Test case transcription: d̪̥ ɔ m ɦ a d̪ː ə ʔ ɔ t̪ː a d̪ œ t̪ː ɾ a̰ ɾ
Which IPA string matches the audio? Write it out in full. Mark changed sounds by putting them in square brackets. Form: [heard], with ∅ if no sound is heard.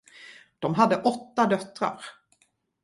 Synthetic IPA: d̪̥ ɔ m ɦ a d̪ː ə ʔ ɔ t̪ː a d̪ œ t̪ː ɾ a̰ ɾ